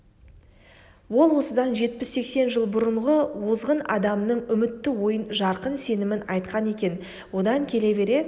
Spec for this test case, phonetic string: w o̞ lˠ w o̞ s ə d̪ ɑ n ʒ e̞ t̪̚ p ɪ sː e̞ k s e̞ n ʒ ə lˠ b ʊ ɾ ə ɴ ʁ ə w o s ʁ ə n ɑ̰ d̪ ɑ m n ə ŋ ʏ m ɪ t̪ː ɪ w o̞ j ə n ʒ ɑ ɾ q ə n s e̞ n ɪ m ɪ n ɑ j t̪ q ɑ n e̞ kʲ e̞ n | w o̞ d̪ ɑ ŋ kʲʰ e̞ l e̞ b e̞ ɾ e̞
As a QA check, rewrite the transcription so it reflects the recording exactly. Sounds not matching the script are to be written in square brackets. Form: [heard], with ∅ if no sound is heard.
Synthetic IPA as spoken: w o̞ lˠ w o̞ s ə d̪ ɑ n ʒ e̞ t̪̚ p ɪ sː e̞ k s e̞ n ʒ ə lˠ b ʊ ɾ ə ɴ ʁ ə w o [z] ʁ ə n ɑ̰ d̪ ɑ m n ə [ɴ] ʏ m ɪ t̪ː ɪ w o̞ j ə n ʒ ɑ ɾ q ə n s e̞ n ɪ m ɪ n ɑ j t̪ q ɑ n e̞ kʲ e̞ n | w o̞ d̪ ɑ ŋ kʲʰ e̞ l e̞ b e̞ ɾ e̞

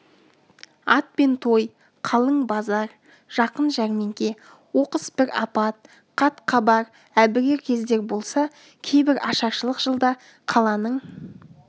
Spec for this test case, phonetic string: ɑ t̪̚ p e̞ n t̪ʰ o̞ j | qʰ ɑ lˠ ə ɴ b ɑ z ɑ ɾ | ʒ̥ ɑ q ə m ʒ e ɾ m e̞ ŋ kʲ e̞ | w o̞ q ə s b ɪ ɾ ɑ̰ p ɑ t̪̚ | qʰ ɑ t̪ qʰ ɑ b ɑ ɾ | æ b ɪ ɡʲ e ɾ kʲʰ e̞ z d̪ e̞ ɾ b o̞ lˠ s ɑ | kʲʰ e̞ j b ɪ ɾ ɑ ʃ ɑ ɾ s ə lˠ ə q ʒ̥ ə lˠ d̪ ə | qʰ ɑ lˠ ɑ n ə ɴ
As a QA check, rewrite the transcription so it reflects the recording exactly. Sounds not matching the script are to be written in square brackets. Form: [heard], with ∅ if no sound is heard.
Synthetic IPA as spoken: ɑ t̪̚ p e̞ n t̪ʰ o̞ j | qʰ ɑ lˠ ə ɴ b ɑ z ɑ ɾ | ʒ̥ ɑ q ə [n] ʒ [æ] ɾ m e̞ ŋ kʲ e̞ | w o̞ q ə s b ɪ ɾ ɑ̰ p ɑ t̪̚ | qʰ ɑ t̪ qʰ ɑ b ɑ ɾ | æ b ɪ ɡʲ e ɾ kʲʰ e̞ z d̪ e̞ ɾ b o̞ lˠ s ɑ | kʲʰ e̞ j b ɪ ɾ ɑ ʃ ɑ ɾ [ʃ] ə lˠ ə q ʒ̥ ə lˠ d̪ [ɑ] | qʰ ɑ lˠ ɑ n ə ɴ

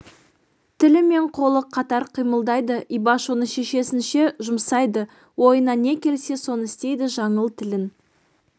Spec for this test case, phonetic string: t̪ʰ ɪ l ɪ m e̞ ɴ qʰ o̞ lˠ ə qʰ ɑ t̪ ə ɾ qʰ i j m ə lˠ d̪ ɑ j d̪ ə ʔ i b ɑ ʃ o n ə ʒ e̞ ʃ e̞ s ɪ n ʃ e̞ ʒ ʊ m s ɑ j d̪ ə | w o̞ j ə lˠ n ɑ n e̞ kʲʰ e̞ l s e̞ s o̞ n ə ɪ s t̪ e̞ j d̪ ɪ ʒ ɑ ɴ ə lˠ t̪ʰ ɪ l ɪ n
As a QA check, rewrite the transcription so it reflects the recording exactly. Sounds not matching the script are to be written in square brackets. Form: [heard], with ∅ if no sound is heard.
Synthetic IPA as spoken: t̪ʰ ɪ l ɪ m e̞ ɴ qʰ o̞ lˠ ə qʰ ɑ t̪ [ɑ] ɾ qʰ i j m ə lˠ d̪ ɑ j d̪ ə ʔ i b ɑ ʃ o n ə [ʃ] e̞ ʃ e̞ s ɪ n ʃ e̞ ʒ ʊ m s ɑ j d̪ ə | w o̞ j ə [∅] n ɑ n e̞ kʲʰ e̞ l s e̞ s o̞ n ə ɪ s t̪ e̞ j d̪ ɪ ʒ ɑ ɴ ə lˠ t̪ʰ ɪ l ɪ n

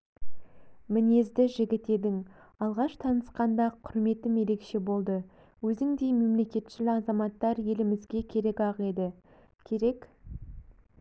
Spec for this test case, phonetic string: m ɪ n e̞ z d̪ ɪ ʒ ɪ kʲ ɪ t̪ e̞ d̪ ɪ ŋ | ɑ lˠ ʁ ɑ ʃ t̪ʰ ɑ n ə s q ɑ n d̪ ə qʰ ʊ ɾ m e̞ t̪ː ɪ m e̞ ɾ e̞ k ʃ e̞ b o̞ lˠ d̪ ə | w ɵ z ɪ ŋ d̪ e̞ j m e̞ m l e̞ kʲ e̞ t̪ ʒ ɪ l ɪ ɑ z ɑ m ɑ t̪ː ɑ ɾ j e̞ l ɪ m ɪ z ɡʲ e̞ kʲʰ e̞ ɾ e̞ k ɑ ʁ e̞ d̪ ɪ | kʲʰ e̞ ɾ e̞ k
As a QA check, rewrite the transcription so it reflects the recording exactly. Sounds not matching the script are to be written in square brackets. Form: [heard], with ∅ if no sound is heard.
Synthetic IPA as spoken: m ɪ n e̞ z d̪ ɪ ʒ ɪ [ɡʲ] ɪ t̪ e̞ d̪ ɪ ŋ | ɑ lˠ ʁ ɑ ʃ t̪ʰ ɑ n ə s q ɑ n d̪ [ɑ] qʰ ʊ ɾ m e̞ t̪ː ɪ m e̞ ɾ e̞ k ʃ e̞ b o̞ lˠ d̪ ə | w ɵ z ɪ ŋ d̪ e̞ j m e̞ m l e̞ kʲ e̞ t̪ [ʃ] ɪ l ɪ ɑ z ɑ m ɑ t̪ː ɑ ɾ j e̞ l ɪ m ɪ z ɡʲ e̞ kʲʰ e̞ ɾ e̞ k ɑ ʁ e̞ d̪ ɪ | kʲʰ e̞ ɾ e̞ k

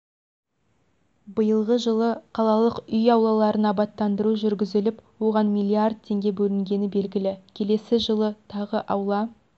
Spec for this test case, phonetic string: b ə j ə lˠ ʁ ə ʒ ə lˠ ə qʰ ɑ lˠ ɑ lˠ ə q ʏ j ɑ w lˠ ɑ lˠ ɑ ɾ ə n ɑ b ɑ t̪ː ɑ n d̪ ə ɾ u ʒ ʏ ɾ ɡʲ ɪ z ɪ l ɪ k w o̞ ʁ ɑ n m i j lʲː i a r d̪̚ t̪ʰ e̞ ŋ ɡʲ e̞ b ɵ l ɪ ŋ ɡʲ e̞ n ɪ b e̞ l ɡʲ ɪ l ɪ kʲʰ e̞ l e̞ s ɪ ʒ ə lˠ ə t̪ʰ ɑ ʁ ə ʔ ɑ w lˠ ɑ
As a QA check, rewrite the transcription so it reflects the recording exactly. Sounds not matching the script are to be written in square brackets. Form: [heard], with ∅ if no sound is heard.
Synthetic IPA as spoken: b ə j ə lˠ ʁ ə ʒ ə lˠ ə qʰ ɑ lˠ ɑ lˠ ə q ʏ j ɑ w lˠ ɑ lˠ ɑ ɾ ə n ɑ b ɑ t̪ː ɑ n d̪ ə ɾ u ʒ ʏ ɾ ɡʲ ɪ z ɪ l ɪ [p] w o̞ ʁ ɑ n m i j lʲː i a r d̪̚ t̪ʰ e̞ ŋ ɡʲ e̞ b ɵ l ɪ ŋ ɡʲ e̞ n ɪ b e̞ l ɡʲ ɪ l ɪ kʲʰ e̞ l e̞ s ɪ ʒ ə lˠ ə t̪ʰ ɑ ʁ ə ʔ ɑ w lˠ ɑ

